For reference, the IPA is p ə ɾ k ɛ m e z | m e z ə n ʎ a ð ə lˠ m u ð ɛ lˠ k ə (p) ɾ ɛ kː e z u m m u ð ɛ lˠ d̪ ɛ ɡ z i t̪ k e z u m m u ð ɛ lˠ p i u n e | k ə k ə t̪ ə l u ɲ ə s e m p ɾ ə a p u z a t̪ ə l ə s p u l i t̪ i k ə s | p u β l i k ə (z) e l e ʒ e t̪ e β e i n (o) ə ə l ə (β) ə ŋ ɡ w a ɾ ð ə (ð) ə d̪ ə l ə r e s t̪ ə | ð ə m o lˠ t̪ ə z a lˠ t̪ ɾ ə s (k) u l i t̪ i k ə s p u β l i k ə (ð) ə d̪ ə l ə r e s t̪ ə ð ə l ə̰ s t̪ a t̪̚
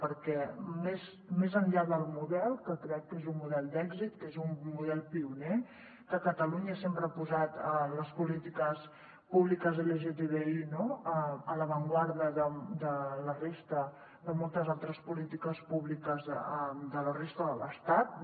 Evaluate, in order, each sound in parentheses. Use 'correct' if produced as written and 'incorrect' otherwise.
incorrect, correct, correct, correct, correct, incorrect, incorrect

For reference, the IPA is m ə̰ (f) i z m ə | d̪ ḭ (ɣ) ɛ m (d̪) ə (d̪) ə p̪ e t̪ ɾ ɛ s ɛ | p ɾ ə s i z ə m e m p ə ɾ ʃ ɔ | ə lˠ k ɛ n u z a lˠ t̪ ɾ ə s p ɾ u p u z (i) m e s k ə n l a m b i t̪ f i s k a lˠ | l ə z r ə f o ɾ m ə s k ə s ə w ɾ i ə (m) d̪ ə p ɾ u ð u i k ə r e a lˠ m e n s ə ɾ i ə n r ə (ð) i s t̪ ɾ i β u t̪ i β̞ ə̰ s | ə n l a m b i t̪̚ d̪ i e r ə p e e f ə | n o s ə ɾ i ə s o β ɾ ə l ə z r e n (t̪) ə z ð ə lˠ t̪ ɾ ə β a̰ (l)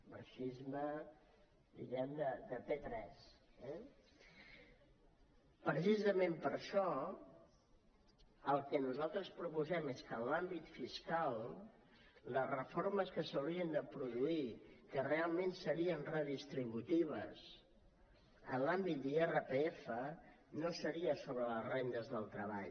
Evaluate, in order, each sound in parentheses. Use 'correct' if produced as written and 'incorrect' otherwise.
incorrect, correct, correct, correct, incorrect, incorrect, correct, incorrect, incorrect

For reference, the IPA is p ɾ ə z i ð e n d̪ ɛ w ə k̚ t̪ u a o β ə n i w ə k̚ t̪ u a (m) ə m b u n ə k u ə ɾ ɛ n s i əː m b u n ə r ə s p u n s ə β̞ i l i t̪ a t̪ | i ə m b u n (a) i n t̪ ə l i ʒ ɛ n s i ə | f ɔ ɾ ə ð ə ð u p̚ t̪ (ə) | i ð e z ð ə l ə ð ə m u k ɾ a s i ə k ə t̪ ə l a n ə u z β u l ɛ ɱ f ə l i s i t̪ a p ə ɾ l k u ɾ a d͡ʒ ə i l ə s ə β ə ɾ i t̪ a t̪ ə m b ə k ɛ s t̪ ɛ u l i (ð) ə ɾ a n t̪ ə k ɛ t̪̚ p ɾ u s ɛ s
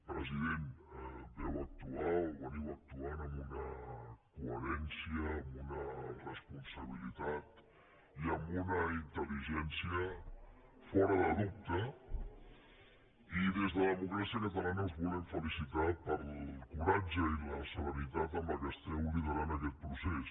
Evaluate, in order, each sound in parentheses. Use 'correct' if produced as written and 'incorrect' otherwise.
incorrect, incorrect, correct, correct

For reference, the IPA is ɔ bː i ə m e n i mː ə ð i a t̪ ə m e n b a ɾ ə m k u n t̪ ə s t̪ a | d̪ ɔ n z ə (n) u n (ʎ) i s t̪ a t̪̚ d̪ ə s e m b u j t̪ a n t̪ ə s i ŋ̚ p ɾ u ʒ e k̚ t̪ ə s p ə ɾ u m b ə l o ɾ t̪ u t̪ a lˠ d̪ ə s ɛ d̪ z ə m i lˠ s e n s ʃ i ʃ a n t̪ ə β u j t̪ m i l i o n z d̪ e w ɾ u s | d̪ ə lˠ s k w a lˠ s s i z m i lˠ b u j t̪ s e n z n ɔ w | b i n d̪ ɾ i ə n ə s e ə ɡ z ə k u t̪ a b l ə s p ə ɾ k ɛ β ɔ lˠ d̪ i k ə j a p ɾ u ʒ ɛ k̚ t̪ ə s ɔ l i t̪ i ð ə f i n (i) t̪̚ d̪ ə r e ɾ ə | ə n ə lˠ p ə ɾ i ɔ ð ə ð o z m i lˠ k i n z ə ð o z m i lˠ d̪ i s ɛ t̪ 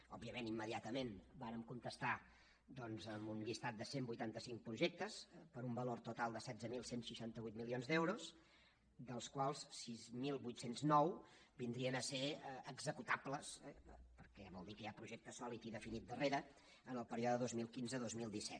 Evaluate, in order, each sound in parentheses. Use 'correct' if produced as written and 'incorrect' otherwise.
incorrect, correct, correct

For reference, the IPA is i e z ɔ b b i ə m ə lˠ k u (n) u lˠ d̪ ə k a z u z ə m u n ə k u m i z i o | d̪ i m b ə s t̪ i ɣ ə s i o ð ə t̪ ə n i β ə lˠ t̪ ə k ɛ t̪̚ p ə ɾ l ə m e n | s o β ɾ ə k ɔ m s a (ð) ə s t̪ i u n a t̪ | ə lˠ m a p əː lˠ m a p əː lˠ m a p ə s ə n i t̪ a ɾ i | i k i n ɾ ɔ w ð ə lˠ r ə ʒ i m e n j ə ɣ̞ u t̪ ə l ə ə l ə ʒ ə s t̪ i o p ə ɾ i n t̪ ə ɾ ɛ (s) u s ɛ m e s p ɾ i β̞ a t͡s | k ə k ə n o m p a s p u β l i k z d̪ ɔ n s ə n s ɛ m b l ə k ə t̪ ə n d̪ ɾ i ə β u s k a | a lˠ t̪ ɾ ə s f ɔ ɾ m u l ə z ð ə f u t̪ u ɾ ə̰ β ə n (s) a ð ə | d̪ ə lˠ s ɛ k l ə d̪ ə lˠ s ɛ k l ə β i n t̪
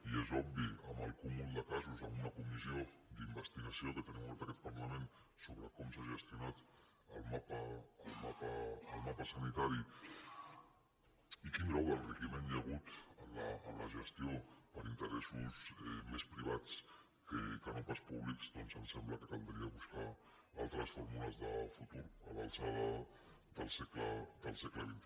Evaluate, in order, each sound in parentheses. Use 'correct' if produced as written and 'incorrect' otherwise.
incorrect, incorrect, correct, correct

